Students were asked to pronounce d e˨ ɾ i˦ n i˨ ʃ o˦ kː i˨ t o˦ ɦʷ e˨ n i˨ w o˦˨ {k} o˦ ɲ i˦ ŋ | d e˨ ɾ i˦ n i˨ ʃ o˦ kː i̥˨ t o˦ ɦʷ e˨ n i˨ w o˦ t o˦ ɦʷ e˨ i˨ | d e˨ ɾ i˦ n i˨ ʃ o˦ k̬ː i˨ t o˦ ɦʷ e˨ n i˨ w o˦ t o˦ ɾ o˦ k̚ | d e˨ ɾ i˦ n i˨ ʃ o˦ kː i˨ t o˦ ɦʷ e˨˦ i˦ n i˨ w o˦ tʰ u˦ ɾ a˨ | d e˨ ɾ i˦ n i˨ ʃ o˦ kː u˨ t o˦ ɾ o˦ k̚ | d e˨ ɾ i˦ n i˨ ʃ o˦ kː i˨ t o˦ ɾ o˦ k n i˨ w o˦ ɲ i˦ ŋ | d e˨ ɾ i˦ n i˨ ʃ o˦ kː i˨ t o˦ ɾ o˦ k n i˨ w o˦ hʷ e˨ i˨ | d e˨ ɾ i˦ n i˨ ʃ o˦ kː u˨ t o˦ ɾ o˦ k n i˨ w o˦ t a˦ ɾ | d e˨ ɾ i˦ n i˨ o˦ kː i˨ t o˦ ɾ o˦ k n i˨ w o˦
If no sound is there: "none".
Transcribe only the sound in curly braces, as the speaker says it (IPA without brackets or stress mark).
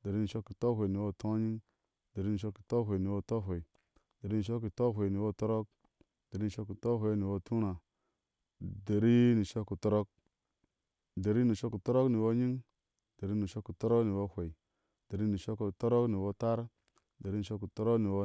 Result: t